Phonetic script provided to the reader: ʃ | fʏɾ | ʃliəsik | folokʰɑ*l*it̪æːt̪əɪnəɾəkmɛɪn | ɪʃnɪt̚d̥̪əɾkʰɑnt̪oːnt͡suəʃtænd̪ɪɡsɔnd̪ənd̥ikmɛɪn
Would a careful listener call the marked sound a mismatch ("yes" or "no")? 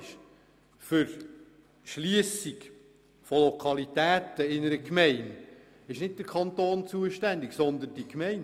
no